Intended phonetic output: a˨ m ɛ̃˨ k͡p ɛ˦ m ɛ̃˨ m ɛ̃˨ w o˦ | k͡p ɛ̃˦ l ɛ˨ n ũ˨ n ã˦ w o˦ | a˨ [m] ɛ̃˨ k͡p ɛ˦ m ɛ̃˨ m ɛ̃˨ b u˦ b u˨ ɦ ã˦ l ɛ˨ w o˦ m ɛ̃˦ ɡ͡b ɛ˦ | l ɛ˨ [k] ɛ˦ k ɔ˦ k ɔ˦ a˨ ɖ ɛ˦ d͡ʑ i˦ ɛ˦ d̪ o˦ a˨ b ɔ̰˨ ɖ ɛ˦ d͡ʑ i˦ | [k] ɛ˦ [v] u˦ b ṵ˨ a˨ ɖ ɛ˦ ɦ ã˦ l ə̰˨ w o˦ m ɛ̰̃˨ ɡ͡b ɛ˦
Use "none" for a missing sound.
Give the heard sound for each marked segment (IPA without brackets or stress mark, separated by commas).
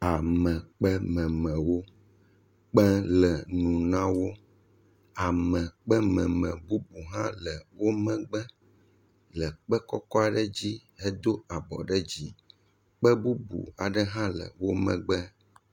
m, k͡p, k͡p, b